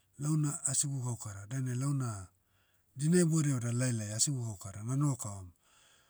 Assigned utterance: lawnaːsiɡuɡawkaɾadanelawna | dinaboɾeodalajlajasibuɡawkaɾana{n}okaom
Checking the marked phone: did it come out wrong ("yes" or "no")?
no